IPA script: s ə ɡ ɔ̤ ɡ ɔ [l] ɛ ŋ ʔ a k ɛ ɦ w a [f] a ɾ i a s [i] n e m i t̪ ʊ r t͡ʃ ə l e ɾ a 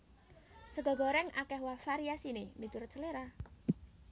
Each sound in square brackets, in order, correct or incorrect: incorrect, correct, correct

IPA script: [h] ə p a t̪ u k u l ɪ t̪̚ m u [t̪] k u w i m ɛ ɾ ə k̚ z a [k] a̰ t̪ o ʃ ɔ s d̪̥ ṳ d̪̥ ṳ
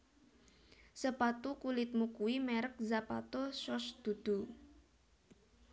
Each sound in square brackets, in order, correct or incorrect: incorrect, incorrect, incorrect

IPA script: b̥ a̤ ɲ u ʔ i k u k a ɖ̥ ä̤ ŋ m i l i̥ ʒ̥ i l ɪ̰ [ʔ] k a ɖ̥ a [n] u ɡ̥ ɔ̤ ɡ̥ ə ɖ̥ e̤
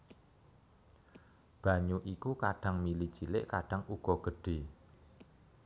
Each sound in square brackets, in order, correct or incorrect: correct, incorrect

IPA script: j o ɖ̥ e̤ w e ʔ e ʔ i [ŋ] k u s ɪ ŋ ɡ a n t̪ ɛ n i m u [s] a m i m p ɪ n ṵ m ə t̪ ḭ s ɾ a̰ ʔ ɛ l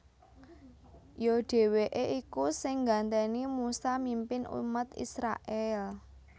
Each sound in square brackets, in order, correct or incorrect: incorrect, correct

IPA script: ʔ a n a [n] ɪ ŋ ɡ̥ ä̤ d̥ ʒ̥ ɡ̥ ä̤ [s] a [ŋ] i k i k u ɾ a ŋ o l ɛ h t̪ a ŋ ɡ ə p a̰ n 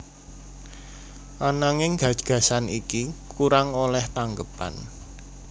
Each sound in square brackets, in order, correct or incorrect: incorrect, correct, incorrect

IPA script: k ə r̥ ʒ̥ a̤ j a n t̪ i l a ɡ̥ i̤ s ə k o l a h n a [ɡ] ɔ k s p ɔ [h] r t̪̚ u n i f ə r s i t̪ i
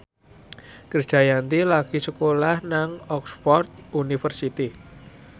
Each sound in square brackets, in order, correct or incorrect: incorrect, incorrect

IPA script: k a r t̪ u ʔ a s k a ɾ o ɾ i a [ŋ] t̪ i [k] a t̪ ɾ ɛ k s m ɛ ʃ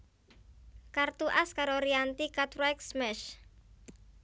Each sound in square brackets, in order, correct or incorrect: incorrect, correct

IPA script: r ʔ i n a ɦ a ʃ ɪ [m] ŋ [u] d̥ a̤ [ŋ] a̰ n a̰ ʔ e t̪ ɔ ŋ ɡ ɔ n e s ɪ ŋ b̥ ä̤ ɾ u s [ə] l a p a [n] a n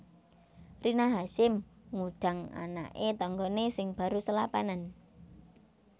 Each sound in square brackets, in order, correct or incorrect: correct, correct, correct, correct, correct

